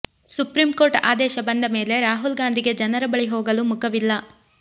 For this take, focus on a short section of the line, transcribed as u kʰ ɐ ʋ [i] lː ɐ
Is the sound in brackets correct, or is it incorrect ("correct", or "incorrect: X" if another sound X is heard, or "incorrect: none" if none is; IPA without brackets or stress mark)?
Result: correct